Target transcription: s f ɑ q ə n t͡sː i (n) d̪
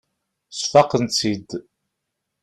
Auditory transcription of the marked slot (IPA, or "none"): none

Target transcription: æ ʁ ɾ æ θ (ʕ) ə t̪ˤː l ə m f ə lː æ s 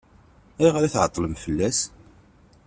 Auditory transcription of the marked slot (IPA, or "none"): ʕ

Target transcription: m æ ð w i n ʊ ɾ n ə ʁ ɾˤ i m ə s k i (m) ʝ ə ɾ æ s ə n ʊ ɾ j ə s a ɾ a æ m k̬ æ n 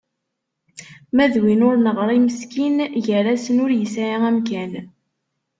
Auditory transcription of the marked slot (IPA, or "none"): n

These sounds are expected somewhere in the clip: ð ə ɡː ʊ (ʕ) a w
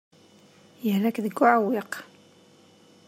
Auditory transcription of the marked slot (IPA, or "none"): ʕ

